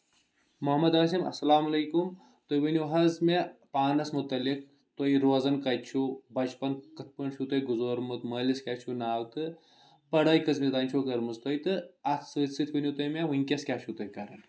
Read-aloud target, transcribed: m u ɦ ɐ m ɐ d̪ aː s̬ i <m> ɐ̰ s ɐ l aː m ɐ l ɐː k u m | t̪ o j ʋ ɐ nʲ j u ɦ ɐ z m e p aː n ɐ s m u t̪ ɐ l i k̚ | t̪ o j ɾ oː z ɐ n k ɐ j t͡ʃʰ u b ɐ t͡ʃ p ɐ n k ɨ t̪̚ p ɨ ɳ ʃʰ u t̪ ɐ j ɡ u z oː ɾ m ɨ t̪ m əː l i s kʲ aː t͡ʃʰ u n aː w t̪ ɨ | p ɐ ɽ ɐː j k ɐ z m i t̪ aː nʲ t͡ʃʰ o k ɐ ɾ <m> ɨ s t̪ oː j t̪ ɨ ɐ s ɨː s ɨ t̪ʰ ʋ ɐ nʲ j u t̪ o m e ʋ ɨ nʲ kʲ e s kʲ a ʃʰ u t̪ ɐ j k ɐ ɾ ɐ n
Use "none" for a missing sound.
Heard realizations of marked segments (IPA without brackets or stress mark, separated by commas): m, m